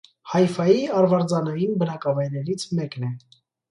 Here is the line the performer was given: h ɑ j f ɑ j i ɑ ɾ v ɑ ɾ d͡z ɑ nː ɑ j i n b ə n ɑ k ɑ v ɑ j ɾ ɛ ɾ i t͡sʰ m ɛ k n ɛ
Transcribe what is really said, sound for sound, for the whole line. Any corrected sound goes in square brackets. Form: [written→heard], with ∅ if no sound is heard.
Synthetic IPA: h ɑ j f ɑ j i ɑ ɾ v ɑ ɾ d͡z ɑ [nː→n] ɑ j i n b ə n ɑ k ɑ v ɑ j ɾ ɛ ɾ i t͡sʰ m ɛ k n ɛ

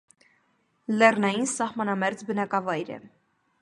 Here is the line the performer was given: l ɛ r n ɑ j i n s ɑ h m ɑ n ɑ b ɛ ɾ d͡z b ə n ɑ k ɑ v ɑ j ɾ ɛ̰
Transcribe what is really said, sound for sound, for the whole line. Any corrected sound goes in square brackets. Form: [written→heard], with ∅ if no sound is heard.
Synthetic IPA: l ɛ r n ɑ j i n s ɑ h m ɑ n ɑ [b→m] ɛ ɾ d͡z b ə n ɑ k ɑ v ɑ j ɾ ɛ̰

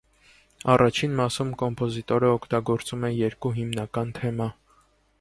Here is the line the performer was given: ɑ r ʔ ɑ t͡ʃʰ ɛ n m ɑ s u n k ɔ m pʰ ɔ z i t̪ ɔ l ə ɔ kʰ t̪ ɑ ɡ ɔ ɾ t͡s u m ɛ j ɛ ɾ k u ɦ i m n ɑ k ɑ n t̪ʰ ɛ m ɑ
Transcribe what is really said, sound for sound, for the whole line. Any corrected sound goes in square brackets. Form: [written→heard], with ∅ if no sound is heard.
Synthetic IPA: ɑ r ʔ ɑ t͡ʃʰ [ɛ→i] n m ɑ s u [n→m] k ɔ m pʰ ɔ z i t̪ ɔ [l→ɾ] ə ɔ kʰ t̪ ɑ ɡ ɔ ɾ t͡s u m ɛ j ɛ ɾ k u ɦ i m n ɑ k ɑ n t̪ʰ ɛ m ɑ

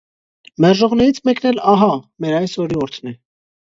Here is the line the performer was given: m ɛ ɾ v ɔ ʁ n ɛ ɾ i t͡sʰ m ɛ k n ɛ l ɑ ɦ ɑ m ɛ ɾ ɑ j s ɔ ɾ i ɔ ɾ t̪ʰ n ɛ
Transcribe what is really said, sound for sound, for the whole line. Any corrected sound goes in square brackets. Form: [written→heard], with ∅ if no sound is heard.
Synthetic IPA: m ɛ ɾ [v→ʒ] ɔ ʁ n ɛ ɾ i t͡sʰ m ɛ k n ɛ l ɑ ɦ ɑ m ɛ ɾ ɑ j s ɔ ɾ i ɔ ɾ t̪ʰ n ɛ

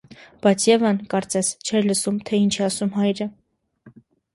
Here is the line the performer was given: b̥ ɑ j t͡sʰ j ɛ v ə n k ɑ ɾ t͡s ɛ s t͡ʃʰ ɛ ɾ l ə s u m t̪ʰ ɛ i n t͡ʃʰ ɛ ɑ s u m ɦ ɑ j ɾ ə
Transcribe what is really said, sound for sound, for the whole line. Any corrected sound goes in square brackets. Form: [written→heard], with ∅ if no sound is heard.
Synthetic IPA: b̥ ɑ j t͡sʰ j ɛ v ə n k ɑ ɾ t͡s ɛ s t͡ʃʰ ɛ ɾ l ə s u m t̪ʰ ɛ i n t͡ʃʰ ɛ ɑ s u m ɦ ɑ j ɾ ə

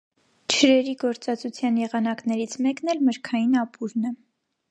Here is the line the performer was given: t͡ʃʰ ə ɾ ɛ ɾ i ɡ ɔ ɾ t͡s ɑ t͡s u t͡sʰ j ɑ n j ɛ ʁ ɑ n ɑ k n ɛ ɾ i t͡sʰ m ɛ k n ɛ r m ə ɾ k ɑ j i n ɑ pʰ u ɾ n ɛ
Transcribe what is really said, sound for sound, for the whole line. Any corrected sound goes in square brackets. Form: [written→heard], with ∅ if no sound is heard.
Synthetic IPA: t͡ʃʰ ə ɾ ɛ ɾ i ɡ ɔ ɾ t͡s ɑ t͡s u t͡sʰ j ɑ n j ɛ ʁ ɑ n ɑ k n ɛ ɾ i t͡sʰ m ɛ k n ɛ [r→l] m ə ɾ [k→kʰ] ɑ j i n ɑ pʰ u ɾ n ɛ

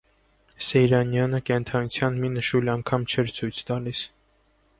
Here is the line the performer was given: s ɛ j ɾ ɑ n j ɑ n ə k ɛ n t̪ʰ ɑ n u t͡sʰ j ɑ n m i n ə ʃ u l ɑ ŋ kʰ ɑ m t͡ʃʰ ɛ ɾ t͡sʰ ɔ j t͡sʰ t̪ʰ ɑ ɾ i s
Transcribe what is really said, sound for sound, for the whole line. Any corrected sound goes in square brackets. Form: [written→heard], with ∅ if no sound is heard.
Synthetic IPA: s ɛ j ɾ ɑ n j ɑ n ə k ɛ n t̪ʰ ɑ n u t͡sʰ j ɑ n m i n ə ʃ u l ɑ ŋ kʰ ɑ m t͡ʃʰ ɛ ɾ t͡sʰ [ɔ→u] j t͡sʰ [t̪ʰ→t̪] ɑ [ɾ→l] i s

